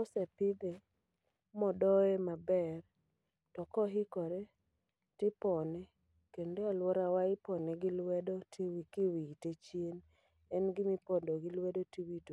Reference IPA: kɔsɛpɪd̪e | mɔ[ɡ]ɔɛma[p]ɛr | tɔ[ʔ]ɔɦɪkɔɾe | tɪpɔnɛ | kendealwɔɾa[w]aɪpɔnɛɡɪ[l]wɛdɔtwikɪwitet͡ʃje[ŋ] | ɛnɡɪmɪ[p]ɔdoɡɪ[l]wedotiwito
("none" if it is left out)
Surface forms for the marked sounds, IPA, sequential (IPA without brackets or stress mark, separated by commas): d, b, k, w, l, n, p, l